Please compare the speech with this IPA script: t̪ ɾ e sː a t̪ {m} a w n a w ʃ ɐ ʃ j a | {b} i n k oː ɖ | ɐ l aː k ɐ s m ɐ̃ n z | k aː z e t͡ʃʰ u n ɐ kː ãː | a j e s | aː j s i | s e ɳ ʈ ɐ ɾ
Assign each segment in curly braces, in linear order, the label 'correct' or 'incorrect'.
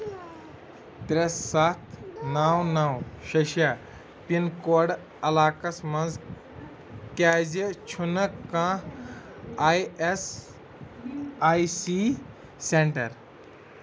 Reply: incorrect: n, incorrect: p

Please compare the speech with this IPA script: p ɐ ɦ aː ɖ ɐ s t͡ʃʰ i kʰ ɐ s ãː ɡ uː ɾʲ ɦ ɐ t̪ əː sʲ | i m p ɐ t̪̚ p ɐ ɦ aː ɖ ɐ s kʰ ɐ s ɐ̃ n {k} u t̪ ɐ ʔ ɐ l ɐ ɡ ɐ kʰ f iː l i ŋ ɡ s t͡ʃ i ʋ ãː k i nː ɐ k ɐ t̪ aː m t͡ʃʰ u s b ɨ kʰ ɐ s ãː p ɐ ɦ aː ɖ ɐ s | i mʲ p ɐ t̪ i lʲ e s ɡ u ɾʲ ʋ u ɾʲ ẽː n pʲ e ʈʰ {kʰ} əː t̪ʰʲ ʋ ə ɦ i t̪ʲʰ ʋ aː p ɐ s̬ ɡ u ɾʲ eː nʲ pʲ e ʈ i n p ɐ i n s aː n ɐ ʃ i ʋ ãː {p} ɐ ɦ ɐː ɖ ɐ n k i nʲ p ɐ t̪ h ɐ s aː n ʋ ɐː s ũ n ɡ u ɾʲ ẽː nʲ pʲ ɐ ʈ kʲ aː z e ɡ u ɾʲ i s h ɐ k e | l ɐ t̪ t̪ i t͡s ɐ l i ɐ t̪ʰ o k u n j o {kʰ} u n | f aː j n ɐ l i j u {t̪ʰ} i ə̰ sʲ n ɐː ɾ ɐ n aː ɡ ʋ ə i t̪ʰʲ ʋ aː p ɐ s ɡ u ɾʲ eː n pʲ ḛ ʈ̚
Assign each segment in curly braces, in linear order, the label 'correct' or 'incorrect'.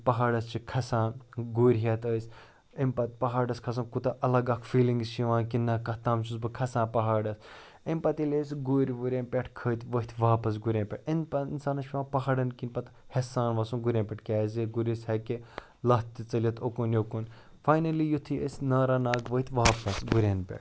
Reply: correct, correct, correct, incorrect: k, correct

